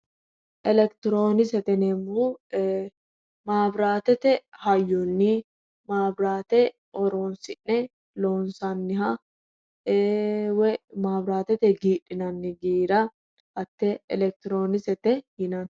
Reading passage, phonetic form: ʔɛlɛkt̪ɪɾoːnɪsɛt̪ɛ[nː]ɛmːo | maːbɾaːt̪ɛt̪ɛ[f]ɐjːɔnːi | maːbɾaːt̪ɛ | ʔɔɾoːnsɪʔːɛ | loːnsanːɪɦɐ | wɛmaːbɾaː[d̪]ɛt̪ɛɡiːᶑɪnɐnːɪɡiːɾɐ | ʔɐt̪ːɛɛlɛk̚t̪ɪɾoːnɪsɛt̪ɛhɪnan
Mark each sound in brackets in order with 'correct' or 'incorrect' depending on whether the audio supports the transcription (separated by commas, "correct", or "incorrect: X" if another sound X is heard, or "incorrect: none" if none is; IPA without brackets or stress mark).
incorrect: n, incorrect: h, incorrect: t̪